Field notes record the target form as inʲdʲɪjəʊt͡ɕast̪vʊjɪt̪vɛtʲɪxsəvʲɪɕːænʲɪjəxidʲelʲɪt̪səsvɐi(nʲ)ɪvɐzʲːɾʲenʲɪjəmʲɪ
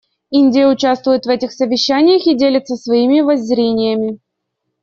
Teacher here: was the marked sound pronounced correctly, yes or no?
no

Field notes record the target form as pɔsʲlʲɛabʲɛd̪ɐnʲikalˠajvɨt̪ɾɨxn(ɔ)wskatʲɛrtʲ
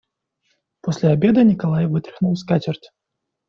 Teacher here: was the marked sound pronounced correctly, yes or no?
no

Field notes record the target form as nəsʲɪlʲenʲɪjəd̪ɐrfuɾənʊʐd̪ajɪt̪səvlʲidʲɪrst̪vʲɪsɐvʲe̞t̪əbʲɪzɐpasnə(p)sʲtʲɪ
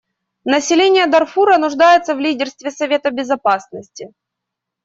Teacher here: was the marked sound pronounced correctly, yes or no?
no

